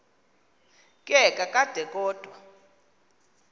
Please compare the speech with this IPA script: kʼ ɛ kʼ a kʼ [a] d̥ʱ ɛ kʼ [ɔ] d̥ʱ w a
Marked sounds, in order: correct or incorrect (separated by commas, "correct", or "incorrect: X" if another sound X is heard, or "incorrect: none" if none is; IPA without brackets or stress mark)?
correct, incorrect: ɔː